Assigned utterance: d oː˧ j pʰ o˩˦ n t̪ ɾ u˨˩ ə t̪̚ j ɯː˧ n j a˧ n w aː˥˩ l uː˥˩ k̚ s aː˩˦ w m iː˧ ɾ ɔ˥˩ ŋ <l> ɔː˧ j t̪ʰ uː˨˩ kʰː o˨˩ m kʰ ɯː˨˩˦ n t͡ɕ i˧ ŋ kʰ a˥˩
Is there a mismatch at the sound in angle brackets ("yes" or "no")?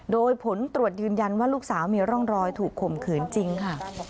yes